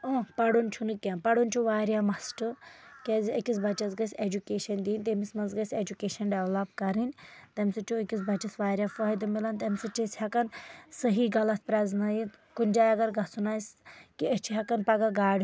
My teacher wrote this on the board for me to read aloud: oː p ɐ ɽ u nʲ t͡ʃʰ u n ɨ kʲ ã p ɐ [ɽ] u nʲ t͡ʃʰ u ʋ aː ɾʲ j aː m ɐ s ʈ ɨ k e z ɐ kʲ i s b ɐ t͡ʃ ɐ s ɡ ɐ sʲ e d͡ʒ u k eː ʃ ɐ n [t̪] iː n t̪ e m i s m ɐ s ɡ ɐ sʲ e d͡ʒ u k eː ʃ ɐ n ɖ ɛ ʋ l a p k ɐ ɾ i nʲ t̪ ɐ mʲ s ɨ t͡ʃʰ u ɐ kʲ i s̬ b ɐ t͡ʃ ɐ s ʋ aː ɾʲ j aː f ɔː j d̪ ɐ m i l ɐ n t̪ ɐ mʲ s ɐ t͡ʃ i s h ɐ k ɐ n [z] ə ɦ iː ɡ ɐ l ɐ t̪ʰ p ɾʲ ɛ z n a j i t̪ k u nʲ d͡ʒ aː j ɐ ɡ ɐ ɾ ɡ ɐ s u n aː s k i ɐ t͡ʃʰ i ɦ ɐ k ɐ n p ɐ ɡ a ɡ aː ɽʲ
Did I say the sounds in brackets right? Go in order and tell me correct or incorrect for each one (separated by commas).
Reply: correct, incorrect, incorrect